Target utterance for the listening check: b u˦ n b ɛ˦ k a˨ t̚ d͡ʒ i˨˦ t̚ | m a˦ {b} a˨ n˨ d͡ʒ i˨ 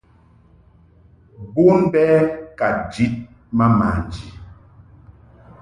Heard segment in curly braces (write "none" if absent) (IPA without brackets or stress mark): m